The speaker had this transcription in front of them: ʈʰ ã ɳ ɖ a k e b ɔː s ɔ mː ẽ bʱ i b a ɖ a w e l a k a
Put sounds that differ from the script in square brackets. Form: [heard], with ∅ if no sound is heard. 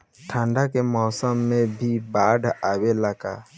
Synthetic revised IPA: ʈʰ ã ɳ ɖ a k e [m] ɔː s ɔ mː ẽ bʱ i b a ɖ a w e l a k a